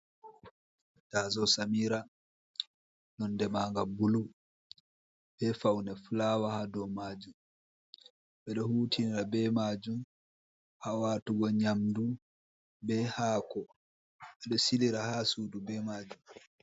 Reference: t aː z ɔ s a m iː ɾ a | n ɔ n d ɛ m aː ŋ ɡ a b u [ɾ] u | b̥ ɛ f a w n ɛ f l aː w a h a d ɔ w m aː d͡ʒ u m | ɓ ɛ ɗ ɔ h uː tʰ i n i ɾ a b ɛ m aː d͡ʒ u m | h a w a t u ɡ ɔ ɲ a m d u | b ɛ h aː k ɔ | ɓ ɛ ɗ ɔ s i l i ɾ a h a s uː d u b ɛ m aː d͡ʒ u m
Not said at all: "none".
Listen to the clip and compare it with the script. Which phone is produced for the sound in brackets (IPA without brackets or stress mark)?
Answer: l